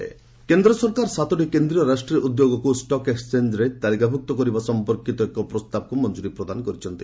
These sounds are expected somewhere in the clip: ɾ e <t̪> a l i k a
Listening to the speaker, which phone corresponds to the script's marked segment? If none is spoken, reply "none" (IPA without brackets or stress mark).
t̪